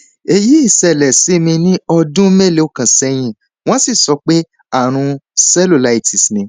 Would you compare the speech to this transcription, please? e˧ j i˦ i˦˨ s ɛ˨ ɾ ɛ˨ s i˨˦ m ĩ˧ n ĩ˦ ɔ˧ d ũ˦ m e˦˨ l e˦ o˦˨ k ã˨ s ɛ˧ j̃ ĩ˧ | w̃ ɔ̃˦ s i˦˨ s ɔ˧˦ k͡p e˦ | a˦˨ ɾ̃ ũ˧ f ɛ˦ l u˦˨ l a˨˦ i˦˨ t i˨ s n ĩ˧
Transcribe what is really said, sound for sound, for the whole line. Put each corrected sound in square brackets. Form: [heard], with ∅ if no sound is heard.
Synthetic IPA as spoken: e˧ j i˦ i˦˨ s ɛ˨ [l] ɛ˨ s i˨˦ m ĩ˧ n ĩ˦ ɔ˧ d ũ˦ m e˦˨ l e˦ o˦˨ k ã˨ s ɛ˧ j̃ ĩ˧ | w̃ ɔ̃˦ s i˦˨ s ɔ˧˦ k͡p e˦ | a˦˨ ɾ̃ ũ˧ [s] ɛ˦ l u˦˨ l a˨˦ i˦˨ t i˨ s n ĩ˧